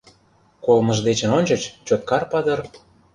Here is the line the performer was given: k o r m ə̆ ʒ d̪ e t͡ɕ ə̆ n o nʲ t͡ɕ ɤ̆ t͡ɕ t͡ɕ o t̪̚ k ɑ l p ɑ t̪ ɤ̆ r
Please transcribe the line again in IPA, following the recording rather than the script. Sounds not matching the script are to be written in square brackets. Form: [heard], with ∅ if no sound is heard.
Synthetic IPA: k o [l] m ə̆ ʒ d̪ e t͡ɕ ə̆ n o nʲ t͡ɕ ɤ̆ t͡ɕ t͡ɕ o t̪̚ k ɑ [r] p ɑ [d̪] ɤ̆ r